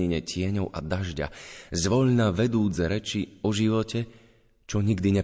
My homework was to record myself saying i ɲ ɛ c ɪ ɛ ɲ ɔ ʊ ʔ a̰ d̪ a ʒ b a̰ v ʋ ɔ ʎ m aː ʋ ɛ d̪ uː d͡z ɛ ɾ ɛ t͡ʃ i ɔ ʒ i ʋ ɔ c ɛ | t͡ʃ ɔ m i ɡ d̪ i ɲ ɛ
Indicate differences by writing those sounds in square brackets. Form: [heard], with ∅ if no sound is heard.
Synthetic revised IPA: i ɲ ɛ c ɪ ɛ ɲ ɔ ʊ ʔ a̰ d̪ a ʒ [ɟ] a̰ [z] ʋ ɔ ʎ [n] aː ʋ ɛ d̪ uː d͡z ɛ ɾ ɛ t͡ʃ i ɔ ʒ i ʋ ɔ c ɛ | t͡ʃ ɔ [ɲ] i ɡ d̪ i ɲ ɛ